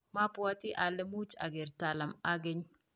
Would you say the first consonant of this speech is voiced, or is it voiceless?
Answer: voiced